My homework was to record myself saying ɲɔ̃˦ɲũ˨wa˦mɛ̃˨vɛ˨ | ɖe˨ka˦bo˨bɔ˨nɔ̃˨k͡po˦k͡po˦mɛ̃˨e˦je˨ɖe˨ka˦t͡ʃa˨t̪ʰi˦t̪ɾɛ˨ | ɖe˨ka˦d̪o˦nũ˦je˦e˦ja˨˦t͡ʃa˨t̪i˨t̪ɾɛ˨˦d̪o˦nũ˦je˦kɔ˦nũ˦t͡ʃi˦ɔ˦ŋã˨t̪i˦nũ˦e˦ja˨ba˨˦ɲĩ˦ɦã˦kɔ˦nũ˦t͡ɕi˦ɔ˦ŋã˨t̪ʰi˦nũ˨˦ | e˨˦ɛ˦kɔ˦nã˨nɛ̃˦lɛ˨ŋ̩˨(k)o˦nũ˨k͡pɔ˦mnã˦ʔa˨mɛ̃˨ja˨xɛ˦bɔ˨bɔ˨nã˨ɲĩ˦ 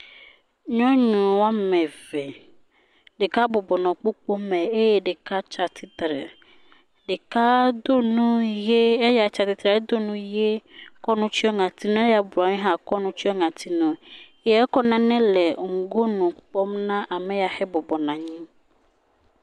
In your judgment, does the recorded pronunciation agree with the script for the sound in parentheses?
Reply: no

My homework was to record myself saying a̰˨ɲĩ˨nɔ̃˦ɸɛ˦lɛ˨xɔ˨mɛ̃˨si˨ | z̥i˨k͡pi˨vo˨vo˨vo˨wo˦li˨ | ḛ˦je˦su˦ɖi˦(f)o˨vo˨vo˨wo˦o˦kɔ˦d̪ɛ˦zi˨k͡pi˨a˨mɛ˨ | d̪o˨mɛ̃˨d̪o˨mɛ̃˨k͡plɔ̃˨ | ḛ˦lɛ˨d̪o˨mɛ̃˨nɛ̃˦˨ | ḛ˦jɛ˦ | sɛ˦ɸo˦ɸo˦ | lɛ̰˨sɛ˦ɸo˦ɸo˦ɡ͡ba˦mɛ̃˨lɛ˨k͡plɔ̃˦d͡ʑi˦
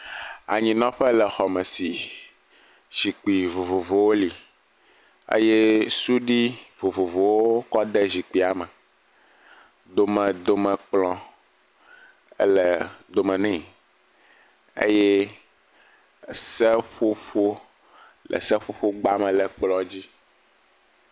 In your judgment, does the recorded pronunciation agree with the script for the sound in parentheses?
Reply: no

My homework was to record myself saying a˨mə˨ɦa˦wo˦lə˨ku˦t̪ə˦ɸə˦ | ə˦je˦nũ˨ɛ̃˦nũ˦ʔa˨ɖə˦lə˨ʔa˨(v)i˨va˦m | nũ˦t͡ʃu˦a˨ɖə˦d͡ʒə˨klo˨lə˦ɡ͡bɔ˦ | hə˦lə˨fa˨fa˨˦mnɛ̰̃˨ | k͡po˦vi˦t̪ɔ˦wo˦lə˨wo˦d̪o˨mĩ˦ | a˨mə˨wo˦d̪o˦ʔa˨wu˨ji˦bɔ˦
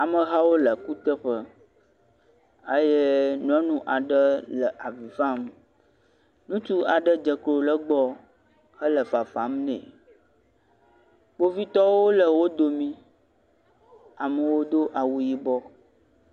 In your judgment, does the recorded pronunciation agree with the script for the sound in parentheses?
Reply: yes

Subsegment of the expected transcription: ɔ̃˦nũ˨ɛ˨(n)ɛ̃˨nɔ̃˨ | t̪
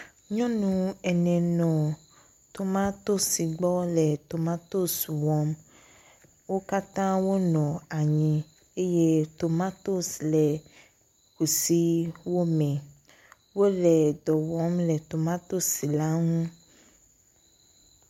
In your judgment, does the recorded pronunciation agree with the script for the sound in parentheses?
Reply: yes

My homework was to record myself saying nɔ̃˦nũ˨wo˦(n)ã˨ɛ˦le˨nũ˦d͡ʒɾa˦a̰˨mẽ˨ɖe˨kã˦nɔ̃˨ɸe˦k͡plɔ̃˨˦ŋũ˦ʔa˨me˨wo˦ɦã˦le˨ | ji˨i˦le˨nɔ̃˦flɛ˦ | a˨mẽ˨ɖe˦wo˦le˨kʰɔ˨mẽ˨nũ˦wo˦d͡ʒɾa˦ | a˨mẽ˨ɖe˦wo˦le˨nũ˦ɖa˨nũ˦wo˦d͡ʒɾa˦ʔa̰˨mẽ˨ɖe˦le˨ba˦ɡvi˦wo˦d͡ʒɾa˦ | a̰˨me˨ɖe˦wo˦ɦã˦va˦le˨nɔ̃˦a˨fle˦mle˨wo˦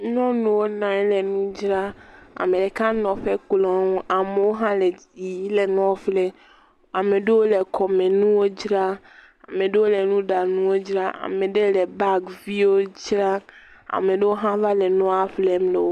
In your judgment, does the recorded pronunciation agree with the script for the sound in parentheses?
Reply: yes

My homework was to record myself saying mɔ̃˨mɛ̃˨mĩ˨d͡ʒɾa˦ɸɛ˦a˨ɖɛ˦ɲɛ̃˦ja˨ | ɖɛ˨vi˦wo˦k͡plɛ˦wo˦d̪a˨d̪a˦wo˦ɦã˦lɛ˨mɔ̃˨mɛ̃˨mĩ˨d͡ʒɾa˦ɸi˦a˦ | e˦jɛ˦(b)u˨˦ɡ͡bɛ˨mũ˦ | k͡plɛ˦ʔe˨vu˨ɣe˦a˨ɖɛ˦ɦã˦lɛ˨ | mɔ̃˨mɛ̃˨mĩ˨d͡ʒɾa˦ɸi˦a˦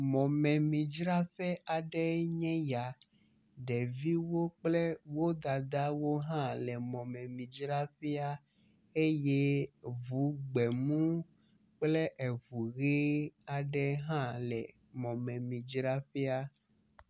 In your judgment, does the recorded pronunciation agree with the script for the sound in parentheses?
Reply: no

